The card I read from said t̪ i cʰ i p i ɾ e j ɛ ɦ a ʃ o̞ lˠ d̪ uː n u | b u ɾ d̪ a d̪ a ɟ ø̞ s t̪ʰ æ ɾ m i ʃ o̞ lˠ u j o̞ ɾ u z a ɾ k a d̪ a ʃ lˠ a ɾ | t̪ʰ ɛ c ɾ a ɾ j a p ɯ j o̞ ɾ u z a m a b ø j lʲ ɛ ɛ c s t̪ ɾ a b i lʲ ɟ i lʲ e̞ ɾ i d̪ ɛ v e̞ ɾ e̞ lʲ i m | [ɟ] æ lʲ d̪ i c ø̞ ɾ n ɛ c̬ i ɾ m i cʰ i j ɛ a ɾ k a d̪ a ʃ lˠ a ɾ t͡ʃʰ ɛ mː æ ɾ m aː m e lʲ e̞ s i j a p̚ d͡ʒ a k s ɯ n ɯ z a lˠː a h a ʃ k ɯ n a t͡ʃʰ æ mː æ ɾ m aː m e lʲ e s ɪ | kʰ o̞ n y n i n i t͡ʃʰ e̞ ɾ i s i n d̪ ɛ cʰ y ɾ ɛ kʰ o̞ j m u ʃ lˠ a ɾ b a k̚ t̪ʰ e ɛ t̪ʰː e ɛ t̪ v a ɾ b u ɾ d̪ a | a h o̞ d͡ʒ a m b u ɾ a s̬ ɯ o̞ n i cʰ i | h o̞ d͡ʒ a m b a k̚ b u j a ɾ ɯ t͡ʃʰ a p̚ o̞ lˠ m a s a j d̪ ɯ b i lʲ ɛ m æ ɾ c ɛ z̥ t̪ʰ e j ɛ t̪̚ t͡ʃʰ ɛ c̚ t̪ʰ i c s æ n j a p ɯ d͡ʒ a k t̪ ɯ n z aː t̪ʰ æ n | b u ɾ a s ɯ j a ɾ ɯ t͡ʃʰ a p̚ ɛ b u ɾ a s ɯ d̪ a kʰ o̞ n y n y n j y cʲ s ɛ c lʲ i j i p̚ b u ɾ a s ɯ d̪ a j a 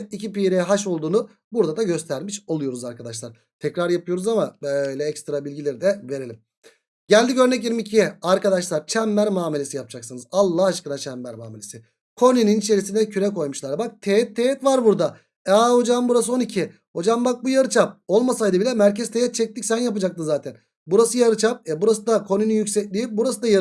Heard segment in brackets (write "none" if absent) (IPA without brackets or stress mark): ɟ